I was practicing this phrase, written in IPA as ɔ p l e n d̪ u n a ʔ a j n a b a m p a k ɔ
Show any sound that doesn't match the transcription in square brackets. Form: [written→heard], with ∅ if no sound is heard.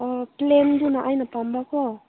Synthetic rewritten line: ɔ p l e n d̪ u n a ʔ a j n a [b→p] a m [p→b] a k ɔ

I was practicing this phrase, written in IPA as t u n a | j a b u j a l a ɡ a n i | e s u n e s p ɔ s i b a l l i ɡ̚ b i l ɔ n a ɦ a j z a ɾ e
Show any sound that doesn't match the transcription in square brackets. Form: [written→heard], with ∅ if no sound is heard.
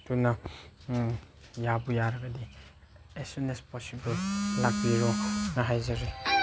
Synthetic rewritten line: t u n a | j a b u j a [l→ɾ] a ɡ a [n→d] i | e s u n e s p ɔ s i b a l l [i→a] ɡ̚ b i [l→ɾ] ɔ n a ɦ a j z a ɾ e

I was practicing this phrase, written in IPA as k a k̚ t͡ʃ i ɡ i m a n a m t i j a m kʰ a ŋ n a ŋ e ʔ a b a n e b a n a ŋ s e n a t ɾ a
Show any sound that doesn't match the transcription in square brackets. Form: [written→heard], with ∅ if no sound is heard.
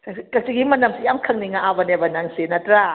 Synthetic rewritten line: k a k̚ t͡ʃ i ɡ i m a n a m [t→s] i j a m kʰ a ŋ n [a→i] ŋ [e→a] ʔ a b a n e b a n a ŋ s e n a t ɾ a

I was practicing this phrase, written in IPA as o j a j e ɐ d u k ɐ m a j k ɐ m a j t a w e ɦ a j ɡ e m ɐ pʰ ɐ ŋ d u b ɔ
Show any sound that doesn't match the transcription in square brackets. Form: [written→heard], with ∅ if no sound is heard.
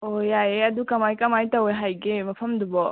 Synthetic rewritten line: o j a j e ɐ d u k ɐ m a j k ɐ m a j t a w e ɦ a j ɡ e m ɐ pʰ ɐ [ŋ→m] d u b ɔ

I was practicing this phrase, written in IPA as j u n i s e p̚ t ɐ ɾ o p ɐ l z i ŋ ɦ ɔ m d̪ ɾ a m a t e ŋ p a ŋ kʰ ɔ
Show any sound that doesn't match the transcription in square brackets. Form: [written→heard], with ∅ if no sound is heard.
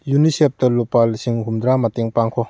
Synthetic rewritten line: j u n i s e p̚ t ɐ [ɾ→l] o p [ɐ→a] l [z→s] i ŋ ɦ [ɔ→u] m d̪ ɾ a m a t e ŋ p a ŋ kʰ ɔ

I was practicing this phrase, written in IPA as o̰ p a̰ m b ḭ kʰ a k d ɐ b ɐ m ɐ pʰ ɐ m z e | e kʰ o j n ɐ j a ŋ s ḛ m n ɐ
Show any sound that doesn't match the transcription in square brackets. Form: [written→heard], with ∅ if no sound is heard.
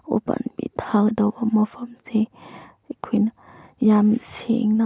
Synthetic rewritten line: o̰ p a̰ [m→n] b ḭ [kʰ→tʰ] a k d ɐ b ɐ m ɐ pʰ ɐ m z e | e kʰ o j n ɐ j a [ŋ→m] s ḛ [m→ŋ] n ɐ

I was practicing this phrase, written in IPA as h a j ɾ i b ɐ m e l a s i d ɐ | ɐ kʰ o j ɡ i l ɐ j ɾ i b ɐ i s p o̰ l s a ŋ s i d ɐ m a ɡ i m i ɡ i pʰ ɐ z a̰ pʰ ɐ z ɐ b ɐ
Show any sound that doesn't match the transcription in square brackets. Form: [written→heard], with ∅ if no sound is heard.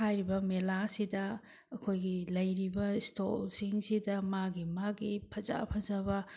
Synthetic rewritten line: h a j ɾ i b ɐ m e l a s i d ɐ | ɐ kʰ o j ɡ i l ɐ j ɾ i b ɐ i s [p→t] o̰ l s [a→i] ŋ s i d ɐ m a ɡ i m [i→a] ɡ i pʰ ɐ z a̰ pʰ ɐ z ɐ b ɐ

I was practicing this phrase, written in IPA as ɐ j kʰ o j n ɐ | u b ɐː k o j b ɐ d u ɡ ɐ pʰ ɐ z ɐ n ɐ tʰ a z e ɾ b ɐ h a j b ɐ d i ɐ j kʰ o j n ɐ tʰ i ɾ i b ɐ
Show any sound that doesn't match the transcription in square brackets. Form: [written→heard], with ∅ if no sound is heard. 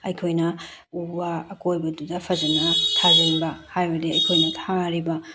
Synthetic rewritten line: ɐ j kʰ o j n ɐ | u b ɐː k o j b ɐ d u [ɡ→d] ɐ pʰ ɐ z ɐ n ɐ tʰ a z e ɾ b ɐ h a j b ɐ d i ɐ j kʰ o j n ɐ tʰ [i→a] ɾ i b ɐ

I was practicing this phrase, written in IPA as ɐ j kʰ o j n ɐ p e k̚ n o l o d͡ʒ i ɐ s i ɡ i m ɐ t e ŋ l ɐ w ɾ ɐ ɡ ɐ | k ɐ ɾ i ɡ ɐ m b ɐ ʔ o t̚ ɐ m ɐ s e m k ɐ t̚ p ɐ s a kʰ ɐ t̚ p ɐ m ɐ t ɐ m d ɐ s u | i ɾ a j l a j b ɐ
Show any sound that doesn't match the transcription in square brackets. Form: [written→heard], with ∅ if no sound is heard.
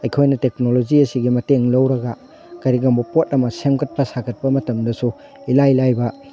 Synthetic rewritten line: ɐ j kʰ o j n ɐ [p→t] e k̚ n o l o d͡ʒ i ɐ s i ɡ i m ɐ t e ŋ l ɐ w ɾ ɐ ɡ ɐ | k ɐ ɾ i ɡ ɐ m b ɐ [ʔ→p] o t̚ ɐ m ɐ s e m k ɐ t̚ p ɐ s a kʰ ɐ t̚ p ɐ m ɐ t ɐ m d ɐ s u | i [ɾ→l] a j l a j b ɐ

